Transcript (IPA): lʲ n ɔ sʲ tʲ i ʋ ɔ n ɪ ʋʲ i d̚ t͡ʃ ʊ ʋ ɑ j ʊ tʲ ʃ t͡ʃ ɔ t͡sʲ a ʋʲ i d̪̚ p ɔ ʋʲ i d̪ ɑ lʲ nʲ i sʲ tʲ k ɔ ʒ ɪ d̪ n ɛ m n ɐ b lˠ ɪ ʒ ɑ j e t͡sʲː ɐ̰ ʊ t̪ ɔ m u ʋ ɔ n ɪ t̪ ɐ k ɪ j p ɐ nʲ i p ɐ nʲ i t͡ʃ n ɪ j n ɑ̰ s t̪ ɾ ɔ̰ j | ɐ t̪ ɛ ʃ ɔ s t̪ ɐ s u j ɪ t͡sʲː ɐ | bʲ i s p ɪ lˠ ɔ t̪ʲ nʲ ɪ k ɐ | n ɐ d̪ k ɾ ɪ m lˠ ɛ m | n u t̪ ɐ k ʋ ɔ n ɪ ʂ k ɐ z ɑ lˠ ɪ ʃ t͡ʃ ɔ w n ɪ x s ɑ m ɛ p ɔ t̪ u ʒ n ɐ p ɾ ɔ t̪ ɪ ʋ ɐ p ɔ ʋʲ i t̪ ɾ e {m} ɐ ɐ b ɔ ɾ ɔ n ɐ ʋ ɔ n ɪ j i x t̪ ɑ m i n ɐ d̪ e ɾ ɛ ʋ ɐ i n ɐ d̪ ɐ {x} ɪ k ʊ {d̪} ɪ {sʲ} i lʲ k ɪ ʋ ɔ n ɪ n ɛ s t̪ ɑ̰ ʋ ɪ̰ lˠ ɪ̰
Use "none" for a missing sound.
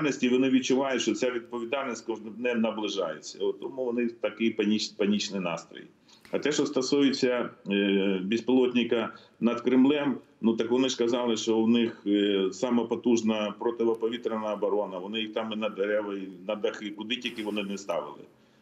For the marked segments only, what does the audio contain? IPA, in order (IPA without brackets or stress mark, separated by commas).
n, x, d̪, tʲ